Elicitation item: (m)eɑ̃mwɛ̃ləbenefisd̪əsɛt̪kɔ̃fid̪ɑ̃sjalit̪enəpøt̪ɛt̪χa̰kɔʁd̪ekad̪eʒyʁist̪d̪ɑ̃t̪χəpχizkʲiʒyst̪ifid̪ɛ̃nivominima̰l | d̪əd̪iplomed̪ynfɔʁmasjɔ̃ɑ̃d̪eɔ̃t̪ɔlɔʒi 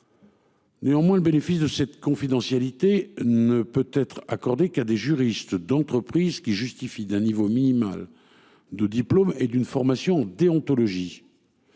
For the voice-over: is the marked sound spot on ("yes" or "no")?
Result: no